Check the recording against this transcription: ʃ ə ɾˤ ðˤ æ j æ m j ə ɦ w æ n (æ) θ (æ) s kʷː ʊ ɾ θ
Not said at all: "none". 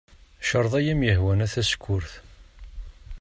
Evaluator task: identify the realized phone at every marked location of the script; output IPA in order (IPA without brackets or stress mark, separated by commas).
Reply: æ, æ